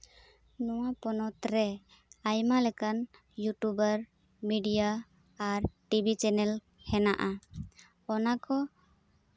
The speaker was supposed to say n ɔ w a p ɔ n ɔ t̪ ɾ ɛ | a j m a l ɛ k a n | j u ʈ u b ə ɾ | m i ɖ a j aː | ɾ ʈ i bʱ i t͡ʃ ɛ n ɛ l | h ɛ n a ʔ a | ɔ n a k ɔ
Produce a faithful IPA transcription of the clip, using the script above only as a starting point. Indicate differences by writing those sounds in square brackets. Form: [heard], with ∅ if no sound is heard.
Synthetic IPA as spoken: n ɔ w a p ɔ n ɔ t̪ ɾ ɛ | a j m a l ɛ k a n | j u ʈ u b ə ɾ | m i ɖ [i] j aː | ɾ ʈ i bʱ i t͡ʃ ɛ n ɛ l | h ɛ n a ʔ a | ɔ n a k ɔ

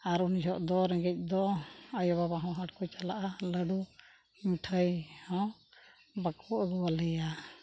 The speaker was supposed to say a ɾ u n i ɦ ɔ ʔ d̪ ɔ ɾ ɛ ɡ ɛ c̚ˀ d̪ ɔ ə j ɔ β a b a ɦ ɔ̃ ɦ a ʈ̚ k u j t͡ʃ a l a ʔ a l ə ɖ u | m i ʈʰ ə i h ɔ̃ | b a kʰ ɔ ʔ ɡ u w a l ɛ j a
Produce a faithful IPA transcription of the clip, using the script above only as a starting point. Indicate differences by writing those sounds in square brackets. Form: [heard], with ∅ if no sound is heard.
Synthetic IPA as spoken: a ɾ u n i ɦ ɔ ʔ d̪ ɔ ɾ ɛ ɡ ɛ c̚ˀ d̪ ɔ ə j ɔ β a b a ɦ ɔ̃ ɦ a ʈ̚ k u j t͡ʃ a l a ʔ a l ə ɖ u | m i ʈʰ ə [j] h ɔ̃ | b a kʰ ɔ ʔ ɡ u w a l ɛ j a

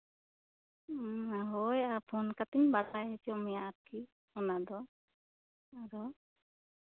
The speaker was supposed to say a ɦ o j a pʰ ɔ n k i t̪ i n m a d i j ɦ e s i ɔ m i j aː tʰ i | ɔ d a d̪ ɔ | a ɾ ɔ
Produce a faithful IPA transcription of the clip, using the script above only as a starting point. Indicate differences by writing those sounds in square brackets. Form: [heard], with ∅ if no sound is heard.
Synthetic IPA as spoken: a ɦ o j a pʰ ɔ n k [a] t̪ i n [b] a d [a] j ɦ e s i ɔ m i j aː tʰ i | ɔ [n] a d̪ ɔ | a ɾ ɔ

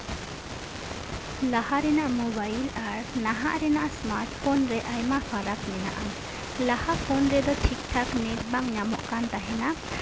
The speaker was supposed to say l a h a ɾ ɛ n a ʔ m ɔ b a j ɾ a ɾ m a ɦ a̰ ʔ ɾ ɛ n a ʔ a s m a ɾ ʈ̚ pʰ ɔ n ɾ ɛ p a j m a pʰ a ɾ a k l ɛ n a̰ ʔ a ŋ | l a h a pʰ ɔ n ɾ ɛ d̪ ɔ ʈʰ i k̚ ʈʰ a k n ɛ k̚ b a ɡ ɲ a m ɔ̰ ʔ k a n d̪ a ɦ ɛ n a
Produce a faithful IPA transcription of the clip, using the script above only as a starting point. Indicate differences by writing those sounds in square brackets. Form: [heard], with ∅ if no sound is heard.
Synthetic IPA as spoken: l a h a ɾ ɛ n a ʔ m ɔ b a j [l] a ɾ [n] a ɦ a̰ ʔ ɾ ɛ n a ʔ a s m a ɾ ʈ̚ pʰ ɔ n ɾ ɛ [ʔ] a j m a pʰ a ɾ a k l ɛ n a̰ ʔ a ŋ | l a h a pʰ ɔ n ɾ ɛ d̪ ɔ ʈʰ i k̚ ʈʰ a k n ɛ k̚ b a [ŋ] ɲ a m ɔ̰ ʔ k a n [t̪] a ɦ ɛ n a

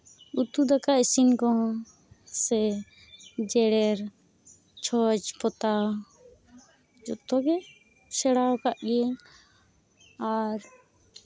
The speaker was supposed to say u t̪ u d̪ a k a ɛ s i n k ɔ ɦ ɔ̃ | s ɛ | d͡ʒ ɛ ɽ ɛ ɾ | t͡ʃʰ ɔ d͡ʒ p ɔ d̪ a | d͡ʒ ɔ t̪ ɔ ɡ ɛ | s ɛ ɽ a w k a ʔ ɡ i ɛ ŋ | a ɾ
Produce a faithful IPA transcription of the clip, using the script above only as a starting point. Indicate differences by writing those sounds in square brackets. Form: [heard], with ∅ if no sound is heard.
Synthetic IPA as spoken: u t̪ u d̪ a k a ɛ s i n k ɔ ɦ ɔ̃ | s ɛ | d͡ʒ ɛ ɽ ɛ ɾ | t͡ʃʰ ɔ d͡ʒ p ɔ [t̪] a | d͡ʒ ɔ t̪ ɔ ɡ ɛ | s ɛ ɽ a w k a ʔ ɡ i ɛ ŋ | a ɾ

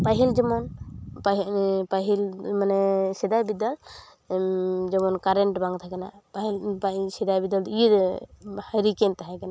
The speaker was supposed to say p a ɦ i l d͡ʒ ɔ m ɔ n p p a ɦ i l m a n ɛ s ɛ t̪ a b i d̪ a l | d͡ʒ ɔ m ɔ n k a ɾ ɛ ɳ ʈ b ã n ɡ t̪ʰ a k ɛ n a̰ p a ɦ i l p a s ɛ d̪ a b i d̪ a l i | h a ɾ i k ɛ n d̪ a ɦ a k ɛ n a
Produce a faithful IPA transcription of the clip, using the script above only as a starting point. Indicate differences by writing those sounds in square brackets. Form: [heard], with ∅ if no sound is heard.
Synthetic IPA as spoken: p a ɦ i l d͡ʒ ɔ m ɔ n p p a ɦ i l m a n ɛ s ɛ [d̪] a b i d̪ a l | d͡ʒ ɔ m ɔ n k a ɾ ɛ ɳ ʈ b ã [ŋ] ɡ t̪ʰ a k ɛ n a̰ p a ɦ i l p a s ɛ d̪ a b i d̪ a l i | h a ɾ i k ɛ n [t̪] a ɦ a k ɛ n a

